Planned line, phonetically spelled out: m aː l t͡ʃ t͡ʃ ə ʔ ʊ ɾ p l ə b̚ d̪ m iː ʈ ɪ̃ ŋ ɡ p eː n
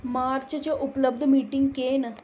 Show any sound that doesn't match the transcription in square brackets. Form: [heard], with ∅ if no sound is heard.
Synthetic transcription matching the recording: m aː [ɾ] t͡ʃ t͡ʃ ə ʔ ʊ [∅] p l ə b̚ d̪ m iː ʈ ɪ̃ ŋ ɡ [k] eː n